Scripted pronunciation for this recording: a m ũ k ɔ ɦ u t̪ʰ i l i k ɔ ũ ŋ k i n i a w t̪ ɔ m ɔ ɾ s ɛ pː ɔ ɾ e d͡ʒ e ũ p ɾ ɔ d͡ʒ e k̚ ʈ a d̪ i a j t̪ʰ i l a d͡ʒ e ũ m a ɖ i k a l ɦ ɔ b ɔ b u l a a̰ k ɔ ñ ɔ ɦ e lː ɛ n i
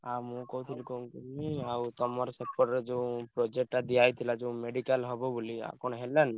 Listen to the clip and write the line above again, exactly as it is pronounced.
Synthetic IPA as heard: a m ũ k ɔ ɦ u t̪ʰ i l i k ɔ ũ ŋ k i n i a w t̪ ɔ m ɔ ɾ s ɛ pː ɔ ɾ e d͡ʒ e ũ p ɾ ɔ d͡ʒ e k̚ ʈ a d̪ i a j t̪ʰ i l a d͡ʒ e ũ m e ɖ i k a l ɦ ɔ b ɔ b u l i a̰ k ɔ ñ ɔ ɦ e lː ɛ n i